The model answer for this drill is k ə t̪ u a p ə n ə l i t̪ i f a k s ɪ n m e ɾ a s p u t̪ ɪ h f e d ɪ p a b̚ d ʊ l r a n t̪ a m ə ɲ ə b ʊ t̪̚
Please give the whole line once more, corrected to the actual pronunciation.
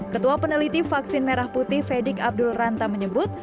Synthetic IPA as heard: k ə t̪ u a p ə n ə l i t̪ i f a k s ɪ n m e ɾ a h p u t̪ ɪ h f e d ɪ k a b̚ d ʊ l r a n t̪ a m ə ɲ ə b ʊ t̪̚